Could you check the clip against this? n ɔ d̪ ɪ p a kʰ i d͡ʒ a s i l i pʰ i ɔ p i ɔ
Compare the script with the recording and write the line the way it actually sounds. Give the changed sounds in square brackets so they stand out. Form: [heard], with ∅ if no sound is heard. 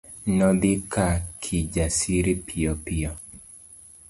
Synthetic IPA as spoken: n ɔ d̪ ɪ [k] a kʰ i d͡ʒ a s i [ɾ] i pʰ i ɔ p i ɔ